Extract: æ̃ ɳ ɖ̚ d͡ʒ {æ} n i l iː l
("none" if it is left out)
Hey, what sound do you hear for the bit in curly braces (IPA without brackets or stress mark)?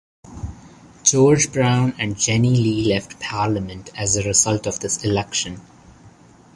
ɛ